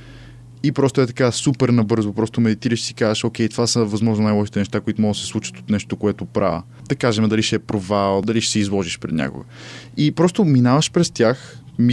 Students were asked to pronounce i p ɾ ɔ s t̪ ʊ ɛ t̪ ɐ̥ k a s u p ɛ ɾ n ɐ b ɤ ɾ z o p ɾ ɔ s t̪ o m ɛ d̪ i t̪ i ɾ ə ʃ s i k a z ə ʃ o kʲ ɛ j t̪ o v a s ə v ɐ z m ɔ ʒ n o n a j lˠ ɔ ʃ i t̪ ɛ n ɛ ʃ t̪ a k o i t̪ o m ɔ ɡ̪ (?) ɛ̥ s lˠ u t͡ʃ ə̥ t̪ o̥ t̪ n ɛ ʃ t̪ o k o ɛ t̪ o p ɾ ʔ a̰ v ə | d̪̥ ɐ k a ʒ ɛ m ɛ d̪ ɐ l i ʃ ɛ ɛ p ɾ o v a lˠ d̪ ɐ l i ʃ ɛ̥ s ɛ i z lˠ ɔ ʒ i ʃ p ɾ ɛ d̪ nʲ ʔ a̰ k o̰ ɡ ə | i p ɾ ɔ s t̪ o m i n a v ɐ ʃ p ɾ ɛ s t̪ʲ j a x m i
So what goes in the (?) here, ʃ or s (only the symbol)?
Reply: s